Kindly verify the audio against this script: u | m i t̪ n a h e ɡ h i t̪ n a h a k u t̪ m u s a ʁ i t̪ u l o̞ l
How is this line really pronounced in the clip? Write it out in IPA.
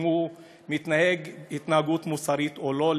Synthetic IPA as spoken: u | m i t̪ n a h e ɡ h i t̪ n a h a ɡ u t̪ m u s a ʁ i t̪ o l o̞ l